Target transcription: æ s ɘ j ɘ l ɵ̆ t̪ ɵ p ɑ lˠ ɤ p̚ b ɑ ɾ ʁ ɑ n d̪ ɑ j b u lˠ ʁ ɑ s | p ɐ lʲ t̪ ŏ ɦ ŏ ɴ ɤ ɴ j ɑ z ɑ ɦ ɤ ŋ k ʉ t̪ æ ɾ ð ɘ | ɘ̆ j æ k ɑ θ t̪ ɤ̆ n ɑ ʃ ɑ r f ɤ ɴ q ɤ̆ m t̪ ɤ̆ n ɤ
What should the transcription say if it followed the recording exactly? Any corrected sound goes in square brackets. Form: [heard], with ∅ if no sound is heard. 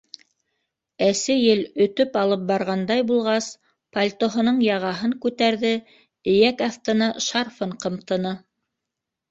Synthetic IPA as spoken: æ s ɘ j ɘ l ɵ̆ t̪ ɵ p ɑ lˠ ɤ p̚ b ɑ ɾ ʁ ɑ n d̪ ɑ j b u lˠ ʁ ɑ s | p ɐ lʲ t̪ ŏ ɦ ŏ [n] ɤ ɴ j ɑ [ʁ] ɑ ɦ ɤ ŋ k ʉ t̪ æ ɾ ð ɘ | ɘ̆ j æ k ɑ θ t̪ ɤ̆ n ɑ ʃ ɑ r f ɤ ɴ q ɤ̆ m t̪ ɤ̆ n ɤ